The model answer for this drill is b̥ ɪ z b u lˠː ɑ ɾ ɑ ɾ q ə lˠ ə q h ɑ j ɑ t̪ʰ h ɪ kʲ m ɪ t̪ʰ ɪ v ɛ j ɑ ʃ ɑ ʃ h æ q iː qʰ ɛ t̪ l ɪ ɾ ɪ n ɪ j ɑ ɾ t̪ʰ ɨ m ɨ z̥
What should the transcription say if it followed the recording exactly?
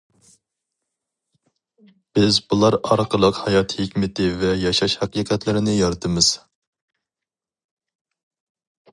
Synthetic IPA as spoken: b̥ ɪ z b u lˠ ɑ ɾ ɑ ɾ q ə lˠ ə q h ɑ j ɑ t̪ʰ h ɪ kʲ m ɪ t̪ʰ ɪ v ɛ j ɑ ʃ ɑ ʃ h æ q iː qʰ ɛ t̪ l ɪ ɾ ɪ n ɪ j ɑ ɾ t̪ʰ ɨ m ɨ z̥